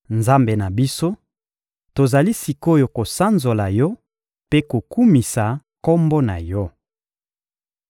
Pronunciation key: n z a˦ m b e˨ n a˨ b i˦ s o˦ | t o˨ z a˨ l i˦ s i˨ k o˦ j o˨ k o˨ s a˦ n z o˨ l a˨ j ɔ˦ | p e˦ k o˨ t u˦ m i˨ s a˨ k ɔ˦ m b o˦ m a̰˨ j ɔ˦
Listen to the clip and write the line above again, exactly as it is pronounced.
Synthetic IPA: n z a˦ m b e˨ n a˨ b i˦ s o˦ | t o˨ z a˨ l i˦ s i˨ k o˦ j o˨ k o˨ s a˦ n z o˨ l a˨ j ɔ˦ | p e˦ k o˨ k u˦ m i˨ s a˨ k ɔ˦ m b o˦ n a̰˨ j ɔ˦